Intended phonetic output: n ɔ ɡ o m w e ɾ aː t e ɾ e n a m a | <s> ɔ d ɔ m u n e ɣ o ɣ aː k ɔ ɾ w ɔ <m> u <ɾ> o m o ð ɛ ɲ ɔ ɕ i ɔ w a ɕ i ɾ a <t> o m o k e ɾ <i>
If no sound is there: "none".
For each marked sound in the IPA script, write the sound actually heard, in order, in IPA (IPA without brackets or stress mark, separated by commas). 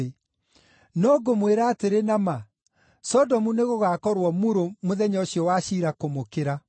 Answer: s, m, ɾ, k, a